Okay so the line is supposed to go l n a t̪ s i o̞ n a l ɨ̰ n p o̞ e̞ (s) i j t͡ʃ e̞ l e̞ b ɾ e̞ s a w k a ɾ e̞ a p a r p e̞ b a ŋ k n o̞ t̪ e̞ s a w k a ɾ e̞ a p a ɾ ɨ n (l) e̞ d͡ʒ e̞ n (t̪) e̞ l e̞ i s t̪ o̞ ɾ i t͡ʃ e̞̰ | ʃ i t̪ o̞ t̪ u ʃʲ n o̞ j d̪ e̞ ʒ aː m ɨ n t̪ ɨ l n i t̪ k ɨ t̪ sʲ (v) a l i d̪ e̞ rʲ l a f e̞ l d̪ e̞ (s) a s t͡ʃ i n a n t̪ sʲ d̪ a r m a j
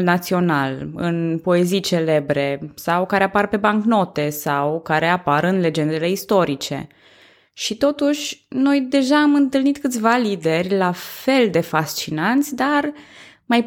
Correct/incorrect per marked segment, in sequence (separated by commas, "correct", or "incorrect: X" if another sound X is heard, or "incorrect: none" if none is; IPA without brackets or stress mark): incorrect: z, correct, incorrect: d̪, correct, incorrect: f